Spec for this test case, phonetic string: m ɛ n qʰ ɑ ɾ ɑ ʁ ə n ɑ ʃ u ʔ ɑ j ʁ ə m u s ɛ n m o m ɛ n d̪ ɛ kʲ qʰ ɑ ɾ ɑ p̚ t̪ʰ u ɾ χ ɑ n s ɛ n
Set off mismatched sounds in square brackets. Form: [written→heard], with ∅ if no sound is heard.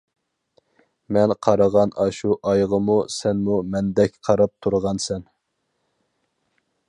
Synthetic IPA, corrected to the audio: m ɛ n qʰ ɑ ɾ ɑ ʁ [ə→ɑ] n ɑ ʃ u ʔ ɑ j ʁ ə m u s ɛ n m [o→u] m ɛ n d̪ ɛ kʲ qʰ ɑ ɾ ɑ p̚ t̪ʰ u ɾ [χ→ʁ] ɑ n s ɛ n